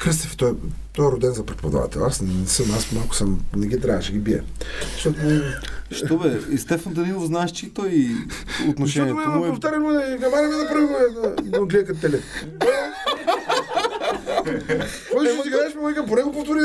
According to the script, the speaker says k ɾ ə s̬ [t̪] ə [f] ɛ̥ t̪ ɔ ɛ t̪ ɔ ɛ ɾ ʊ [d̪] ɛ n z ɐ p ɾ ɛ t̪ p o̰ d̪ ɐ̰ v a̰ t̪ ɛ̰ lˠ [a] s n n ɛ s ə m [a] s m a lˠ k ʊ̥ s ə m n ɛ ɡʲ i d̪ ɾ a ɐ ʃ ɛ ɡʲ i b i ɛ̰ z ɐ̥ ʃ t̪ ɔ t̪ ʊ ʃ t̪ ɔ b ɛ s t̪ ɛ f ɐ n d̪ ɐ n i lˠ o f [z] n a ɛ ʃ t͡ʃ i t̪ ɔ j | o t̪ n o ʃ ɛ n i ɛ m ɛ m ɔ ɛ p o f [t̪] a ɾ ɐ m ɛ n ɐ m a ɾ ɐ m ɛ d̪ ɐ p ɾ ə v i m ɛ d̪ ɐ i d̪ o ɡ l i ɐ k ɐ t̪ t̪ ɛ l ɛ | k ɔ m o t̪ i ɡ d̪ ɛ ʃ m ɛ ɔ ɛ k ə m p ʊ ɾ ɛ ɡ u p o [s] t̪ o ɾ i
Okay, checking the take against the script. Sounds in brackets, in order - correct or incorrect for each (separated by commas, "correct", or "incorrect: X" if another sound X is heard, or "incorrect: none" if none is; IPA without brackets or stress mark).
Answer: correct, correct, correct, correct, correct, correct, correct, incorrect: f